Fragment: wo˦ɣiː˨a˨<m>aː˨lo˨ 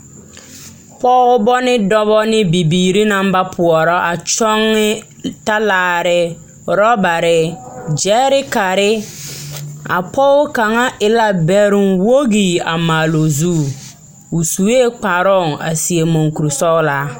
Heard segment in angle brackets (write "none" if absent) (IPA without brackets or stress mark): m